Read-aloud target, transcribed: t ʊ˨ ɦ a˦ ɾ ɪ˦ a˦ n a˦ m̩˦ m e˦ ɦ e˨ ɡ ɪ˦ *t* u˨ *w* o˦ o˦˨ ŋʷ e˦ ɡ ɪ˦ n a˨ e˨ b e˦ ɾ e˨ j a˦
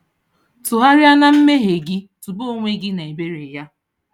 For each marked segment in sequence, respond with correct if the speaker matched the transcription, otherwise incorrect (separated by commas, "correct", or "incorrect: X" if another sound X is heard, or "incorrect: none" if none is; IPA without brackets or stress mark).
correct, incorrect: b